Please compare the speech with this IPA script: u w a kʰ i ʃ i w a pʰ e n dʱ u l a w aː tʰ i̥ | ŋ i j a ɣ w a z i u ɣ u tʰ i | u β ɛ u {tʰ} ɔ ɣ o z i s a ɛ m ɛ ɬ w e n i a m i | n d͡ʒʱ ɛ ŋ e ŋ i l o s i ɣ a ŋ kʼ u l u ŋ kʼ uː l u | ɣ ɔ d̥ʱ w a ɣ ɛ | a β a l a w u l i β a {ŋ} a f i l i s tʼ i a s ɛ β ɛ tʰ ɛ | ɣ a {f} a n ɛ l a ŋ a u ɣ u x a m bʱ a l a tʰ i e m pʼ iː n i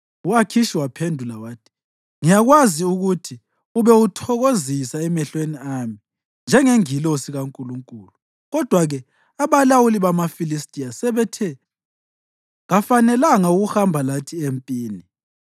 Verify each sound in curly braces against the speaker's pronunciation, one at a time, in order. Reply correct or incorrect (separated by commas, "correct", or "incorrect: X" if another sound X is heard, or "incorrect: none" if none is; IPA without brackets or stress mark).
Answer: correct, incorrect: m, correct